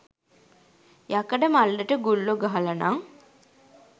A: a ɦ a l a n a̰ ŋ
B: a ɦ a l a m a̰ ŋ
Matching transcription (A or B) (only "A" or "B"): A